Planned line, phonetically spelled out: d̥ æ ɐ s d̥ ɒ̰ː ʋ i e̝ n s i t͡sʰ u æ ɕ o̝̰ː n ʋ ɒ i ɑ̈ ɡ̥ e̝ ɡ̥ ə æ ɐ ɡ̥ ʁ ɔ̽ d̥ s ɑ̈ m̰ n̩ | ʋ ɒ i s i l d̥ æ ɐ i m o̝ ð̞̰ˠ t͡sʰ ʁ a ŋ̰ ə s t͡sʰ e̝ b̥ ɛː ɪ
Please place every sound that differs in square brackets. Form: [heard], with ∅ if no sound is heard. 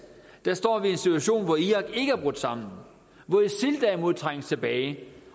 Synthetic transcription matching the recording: d̥ æ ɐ s d̥ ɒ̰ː ʋ i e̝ n s i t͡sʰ u æ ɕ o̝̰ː n ʋ ɒ i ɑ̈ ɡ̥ e̝ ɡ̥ ə æ ɐ [b̥] ʁ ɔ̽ d̥ s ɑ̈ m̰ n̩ | ʋ ɒ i s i l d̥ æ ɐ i m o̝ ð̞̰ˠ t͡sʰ ʁ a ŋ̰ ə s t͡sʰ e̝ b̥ ɛː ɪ

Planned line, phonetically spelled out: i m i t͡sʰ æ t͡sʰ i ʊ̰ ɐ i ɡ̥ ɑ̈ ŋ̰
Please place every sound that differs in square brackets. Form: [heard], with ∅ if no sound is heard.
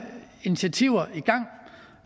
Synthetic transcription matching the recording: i [n] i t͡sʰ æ t͡sʰ i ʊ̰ ɐ i ɡ̥ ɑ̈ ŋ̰

